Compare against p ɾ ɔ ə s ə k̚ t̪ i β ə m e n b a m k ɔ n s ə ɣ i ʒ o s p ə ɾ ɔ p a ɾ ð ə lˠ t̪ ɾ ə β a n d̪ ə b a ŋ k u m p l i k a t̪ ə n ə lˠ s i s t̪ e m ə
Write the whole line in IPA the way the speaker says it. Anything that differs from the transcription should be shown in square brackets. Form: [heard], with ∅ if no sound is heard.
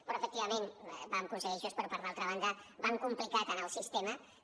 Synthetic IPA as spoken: p ɾ ɔ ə [f] ə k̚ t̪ i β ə m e n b a m k [u] n s ə ɣ i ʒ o s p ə ɾ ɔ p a ɾ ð [a] lˠ t̪ ɾ ə β a n d̪ ə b a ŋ k u m p l i k a t̪ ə n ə lˠ s i s t̪ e m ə